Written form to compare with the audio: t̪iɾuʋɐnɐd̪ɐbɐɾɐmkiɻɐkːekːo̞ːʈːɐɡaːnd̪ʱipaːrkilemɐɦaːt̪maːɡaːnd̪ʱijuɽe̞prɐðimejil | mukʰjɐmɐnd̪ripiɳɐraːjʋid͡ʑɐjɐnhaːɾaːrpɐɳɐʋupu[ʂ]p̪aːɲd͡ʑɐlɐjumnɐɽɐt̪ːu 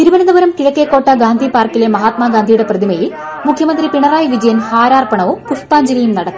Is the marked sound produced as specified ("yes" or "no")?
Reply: yes